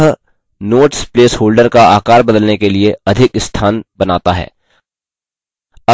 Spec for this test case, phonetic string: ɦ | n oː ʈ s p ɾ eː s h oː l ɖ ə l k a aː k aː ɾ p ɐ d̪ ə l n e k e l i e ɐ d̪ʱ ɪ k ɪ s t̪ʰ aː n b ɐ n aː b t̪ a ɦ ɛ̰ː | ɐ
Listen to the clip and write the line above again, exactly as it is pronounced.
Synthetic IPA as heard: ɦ | n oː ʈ s p l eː s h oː l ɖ ə ɾ k a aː k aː ɾ b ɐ d̪ ə l n e k e l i e ɐ d̪ʱ ɪ k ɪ s t̪ʰ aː n b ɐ n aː t̪ a ɦ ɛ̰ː | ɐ